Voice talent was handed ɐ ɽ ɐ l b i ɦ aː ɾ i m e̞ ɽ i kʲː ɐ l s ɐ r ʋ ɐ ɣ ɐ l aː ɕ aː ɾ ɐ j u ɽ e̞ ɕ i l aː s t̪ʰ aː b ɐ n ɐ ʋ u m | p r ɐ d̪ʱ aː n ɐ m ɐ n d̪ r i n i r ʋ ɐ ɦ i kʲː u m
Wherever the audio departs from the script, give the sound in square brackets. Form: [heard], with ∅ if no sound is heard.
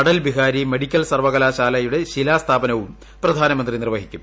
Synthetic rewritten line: ɐ ɽ ɐ l b i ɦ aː ɾ i m e̞ ɽ i kʲː ɐ l s ɐ r ʋ ɐ ɣ ɐ l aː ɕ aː [l] ɐ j u ɽ e̞ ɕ i l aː s t̪ʰ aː b ɐ n ɐ ʋ u m | p r ɐ d̪ʱ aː n ɐ m ɐ n d̪ r i n i r ʋ ɐ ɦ i kʲː u m